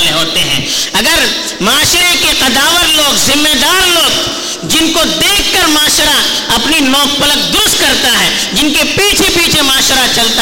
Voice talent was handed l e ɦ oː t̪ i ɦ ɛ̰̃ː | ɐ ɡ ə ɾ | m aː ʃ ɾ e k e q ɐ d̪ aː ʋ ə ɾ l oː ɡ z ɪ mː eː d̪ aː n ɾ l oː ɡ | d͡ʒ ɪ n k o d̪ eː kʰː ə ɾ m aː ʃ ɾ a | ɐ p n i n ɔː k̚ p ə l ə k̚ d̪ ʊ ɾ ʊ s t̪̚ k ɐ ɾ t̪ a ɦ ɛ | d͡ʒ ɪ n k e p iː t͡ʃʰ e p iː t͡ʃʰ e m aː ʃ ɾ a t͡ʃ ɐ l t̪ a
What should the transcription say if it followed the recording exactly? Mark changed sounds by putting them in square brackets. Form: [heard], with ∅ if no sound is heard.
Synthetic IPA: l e ɦ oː t̪ [e] ɦ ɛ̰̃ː | ɐ ɡ ə ɾ | m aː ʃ ɾ e k e q ɐ d̪ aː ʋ ə ɾ l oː ɡ z ɪ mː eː d̪ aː [∅] ɾ l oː ɡ | d͡ʒ ɪ n k o d̪ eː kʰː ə ɾ m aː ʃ ɾ a | ɐ p n i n ɔː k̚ p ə l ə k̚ d̪ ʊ ɾ ʊ s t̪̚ k ɐ ɾ t̪ a ɦ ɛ | d͡ʒ ɪ n k e p iː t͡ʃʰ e p iː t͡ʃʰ e m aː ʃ ɾ a t͡ʃ ɐ l t̪ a